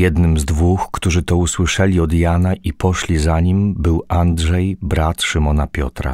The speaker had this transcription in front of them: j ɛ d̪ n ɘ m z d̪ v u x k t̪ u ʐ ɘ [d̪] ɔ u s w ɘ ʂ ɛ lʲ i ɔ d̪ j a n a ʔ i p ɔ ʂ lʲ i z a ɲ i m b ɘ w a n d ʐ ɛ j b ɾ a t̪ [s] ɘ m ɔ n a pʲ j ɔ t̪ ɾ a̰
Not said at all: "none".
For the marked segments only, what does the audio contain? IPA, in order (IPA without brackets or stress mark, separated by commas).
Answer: t̪, ʂ